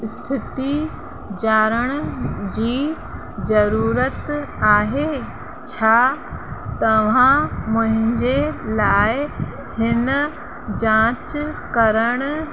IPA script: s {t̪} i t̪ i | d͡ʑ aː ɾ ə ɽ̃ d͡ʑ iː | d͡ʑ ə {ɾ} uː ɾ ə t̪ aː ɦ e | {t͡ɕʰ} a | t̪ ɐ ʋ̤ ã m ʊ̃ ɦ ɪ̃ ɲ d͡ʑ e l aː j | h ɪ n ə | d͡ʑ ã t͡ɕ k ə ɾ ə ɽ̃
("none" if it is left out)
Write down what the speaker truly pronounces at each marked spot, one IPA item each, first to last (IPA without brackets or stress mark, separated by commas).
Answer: t̪ʰ, ɾ, t͡ɕʰ